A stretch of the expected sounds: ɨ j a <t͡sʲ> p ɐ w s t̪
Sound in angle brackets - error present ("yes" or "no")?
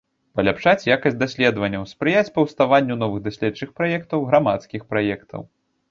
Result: no